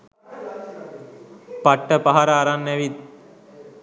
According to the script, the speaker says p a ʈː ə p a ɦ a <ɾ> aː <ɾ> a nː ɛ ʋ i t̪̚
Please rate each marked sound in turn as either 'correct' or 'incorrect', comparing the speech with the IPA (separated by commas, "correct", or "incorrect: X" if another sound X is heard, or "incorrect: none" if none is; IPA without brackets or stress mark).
correct, correct